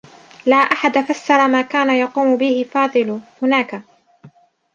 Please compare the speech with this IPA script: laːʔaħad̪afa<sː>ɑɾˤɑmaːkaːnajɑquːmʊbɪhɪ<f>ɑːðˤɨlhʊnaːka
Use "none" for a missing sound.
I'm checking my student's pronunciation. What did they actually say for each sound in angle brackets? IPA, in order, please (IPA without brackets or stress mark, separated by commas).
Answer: sː, f